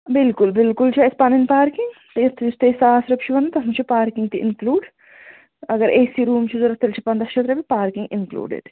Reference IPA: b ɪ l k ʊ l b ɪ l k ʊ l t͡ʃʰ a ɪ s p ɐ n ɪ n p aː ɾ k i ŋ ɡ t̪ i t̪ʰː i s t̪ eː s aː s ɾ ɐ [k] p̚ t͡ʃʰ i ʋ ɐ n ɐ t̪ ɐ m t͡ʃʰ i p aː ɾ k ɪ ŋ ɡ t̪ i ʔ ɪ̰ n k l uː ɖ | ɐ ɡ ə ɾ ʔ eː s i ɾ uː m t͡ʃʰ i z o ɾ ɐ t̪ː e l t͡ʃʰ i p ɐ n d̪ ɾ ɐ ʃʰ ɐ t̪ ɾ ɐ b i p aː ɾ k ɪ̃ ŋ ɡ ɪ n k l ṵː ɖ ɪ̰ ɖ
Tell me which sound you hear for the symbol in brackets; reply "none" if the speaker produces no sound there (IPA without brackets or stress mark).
none